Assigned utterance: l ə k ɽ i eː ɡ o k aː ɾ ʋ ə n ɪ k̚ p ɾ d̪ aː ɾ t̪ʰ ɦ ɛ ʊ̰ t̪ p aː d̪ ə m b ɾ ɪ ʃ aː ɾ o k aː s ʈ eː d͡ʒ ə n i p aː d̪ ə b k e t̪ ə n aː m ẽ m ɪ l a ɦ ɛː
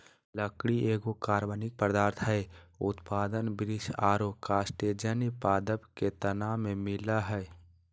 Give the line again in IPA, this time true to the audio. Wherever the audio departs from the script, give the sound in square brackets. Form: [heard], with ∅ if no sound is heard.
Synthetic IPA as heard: l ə k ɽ i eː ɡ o k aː ɾ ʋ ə n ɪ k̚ p ɾ d̪ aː ɾ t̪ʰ ɦ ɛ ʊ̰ t̪ p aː d̪ ə [n] b ɾ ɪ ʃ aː ɾ o k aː s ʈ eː d͡ʒ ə n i p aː d̪ ə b k e t̪ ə n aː m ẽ m ɪ l a ɦ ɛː